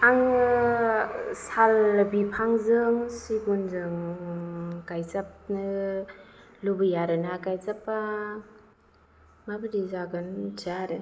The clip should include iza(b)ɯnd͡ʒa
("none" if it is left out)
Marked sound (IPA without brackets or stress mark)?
ɡ